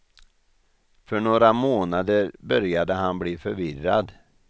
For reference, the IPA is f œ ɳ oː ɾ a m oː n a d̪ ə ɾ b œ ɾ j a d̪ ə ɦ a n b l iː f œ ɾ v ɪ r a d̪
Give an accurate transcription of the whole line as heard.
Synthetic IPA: f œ ɳ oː ɾ a m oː n a d̪ ə ɾ b œ ɾ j a d̪ ə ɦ a n b l iː f œ ɾ v ɪ r a d̪